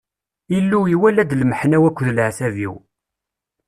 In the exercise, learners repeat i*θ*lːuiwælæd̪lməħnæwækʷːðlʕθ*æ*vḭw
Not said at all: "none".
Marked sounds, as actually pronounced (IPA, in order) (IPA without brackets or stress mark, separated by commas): none, æ